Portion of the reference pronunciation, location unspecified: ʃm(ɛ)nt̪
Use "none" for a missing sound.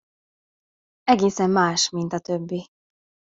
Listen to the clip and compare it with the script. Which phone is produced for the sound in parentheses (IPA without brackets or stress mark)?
i